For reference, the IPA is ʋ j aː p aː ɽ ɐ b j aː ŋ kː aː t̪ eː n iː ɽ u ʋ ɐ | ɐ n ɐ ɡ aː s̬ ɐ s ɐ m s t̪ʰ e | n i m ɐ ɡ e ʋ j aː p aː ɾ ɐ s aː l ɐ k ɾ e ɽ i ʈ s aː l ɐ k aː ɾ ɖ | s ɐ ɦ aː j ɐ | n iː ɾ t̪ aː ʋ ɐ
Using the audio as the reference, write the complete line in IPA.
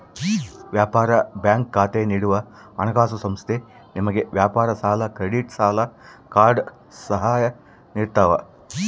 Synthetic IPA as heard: ʋ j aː p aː ɾ ɐ b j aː ŋ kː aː t̪ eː n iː ɽ u ʋ ɐ | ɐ n ɐ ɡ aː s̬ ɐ s ɐ m s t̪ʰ e | n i m ɐ ɡ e ʋ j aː p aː ɾ ɐ s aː l ɐ k ɾ e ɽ i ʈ s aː l ɐ k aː ɾ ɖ | s ɐ ɦ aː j ɐ | n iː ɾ t̪ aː ʋ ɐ

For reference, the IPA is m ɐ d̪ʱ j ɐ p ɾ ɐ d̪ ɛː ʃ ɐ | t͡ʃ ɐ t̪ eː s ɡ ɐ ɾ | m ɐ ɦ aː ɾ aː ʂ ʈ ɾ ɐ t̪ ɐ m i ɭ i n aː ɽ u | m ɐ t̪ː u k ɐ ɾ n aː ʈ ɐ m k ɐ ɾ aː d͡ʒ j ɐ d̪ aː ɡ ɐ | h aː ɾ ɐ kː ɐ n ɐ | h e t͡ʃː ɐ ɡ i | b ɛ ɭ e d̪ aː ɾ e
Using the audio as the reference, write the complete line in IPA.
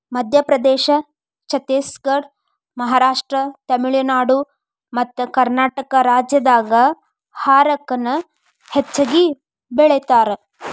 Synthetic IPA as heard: m ɐ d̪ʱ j ɐ p ɾ ɐ d̪ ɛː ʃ ɐ | t͡ʃ ɐ t̪ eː s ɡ ɐ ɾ | m ɐ ɦ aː ɾ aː ʂ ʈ ɾ ɐ t̪ ɐ m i ɭ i n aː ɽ u | m ɐ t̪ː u k ɐ ɾ n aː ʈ ɐ k ɐ ɾ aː d͡ʒ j ɐ d̪ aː ɡ ɐ | h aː ɾ ɐ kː ɐ n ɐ | h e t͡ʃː ɐ ɡ i | b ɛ ɭ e t̪ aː ɾ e

